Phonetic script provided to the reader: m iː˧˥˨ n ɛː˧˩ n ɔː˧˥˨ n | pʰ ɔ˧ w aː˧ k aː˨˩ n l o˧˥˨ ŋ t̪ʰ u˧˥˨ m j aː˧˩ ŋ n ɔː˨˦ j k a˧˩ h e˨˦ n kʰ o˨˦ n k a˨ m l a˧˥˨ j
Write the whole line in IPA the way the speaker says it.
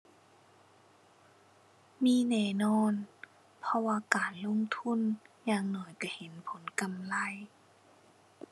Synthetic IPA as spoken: m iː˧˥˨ n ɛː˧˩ n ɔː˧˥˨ n | pʰ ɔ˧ w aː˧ k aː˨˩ n l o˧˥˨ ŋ t̪ʰ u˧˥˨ n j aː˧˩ ŋ n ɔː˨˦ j k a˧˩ h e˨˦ n pʰ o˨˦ n k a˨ m l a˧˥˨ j